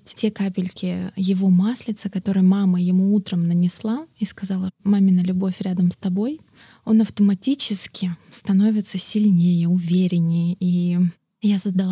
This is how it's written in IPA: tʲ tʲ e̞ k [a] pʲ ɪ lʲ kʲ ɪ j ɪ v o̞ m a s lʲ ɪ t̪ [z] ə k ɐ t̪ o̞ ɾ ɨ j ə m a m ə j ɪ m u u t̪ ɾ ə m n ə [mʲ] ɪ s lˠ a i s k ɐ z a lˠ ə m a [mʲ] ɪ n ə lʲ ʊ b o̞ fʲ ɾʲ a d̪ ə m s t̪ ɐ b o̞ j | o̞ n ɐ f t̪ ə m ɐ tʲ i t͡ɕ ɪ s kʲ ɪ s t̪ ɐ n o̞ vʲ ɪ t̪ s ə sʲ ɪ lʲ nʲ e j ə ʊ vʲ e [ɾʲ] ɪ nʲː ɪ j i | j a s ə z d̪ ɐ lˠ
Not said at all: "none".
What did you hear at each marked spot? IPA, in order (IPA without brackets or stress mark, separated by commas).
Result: a, s, nʲ, mʲ, ɾʲ